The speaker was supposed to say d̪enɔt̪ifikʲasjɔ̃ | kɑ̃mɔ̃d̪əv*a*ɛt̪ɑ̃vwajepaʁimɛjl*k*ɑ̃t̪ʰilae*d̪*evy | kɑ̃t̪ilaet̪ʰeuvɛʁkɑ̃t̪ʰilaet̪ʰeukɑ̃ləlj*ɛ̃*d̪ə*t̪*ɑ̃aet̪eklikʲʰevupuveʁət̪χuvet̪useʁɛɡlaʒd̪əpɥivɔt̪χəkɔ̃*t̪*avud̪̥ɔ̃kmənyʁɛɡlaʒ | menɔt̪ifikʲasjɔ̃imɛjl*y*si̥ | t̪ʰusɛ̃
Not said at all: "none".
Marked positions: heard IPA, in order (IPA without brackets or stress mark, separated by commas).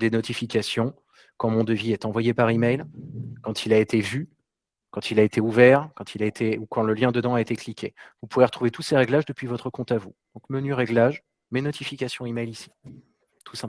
i, k, t̪, ɛ̃, d̪, t̪, i